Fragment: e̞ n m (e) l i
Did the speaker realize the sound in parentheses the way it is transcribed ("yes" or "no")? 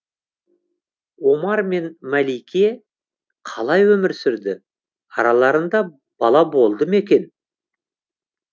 no